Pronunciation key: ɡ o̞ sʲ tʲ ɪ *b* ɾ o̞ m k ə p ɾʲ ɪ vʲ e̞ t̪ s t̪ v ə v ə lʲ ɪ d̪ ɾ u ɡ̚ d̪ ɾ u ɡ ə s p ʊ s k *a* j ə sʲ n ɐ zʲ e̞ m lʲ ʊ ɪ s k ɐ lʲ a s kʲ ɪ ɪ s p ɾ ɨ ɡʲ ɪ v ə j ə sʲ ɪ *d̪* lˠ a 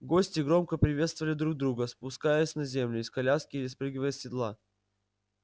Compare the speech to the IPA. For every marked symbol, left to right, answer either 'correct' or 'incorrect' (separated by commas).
incorrect, correct, correct